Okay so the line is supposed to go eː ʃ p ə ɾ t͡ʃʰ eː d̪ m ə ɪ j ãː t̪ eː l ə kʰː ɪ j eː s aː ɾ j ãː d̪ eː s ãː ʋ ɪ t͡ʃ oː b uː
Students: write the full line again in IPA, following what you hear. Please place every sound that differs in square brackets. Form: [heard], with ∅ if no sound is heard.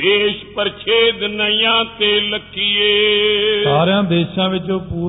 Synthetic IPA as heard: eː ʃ p ə ɾ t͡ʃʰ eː d̪ [n] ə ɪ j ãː t̪ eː l ə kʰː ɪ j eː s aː ɾ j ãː d̪ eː [ʃ] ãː ʋ ɪ t͡ʃ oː [p] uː